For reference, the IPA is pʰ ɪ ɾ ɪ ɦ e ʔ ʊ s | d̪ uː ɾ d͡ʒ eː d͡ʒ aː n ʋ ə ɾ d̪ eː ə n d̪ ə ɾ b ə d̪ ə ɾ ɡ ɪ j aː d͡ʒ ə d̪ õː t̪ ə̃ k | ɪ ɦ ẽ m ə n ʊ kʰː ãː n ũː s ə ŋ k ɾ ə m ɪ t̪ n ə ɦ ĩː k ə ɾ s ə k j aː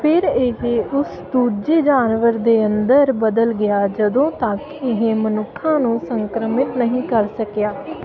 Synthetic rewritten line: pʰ ɪ ɾ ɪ ɦ e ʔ ʊ s | d̪ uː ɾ d͡ʒ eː d͡ʒ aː n ʋ ə ɾ d̪ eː ə n d̪ ə ɾ b ə d̪ ə l ɡ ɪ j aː d͡ʒ ə d̪ õː t̪ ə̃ k | ɪ ɦ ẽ m ə n ʊ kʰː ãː n ũː s ə ŋ k ɾ ə m ɪ t̪ n ə ɦ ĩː k ə ɾ s ə k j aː